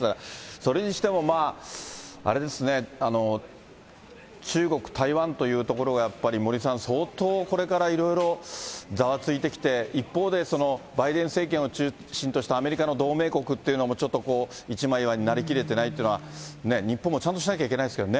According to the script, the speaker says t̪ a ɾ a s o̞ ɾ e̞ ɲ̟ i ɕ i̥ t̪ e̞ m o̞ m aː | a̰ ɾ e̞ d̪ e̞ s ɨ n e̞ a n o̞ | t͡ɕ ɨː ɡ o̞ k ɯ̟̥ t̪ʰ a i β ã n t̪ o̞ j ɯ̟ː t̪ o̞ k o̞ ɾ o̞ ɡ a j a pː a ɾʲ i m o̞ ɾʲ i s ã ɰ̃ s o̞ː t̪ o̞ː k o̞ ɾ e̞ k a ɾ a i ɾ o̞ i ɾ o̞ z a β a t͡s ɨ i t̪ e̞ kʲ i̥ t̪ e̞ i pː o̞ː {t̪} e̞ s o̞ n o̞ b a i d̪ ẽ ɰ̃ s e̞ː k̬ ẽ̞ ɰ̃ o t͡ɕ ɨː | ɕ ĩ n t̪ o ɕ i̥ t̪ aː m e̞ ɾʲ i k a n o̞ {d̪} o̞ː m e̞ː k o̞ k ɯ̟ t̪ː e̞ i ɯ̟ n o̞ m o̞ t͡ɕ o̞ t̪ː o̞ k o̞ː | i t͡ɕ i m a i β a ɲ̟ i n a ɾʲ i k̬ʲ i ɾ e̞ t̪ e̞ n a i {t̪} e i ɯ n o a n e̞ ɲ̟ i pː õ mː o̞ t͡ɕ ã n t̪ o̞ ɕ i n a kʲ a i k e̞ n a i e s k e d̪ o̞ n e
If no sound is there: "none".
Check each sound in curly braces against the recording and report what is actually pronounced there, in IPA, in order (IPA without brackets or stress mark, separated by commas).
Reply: d̪, d̪, t̪